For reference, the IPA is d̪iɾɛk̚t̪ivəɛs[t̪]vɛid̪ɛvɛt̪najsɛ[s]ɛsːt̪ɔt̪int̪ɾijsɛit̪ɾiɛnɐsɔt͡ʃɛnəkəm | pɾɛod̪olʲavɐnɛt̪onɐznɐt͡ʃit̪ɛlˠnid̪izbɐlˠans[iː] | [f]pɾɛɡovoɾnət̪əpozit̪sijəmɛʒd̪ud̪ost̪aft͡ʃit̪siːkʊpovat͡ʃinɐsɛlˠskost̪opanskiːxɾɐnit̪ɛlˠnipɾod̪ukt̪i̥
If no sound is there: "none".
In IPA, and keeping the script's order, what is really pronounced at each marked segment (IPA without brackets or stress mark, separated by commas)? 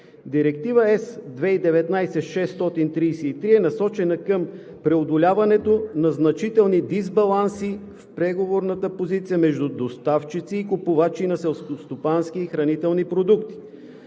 d̪, ʃ, i, f